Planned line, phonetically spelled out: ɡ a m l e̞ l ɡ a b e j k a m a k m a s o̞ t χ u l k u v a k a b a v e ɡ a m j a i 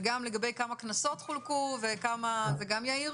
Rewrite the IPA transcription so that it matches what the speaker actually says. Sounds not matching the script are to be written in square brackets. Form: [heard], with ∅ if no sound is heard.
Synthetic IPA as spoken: ɡ a m l e̞ [∅] ɡ a b e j k a m a k [n] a s o̞ t χ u l k u v [e] k a [m] a [z] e ɡ a m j a i